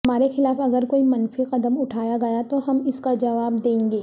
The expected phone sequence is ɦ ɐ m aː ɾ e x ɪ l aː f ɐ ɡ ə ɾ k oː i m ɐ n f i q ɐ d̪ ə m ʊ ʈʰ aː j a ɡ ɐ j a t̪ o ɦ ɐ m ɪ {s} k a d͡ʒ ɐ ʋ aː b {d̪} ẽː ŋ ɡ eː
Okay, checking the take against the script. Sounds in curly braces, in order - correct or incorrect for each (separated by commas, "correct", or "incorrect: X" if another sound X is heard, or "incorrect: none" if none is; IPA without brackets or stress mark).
correct, correct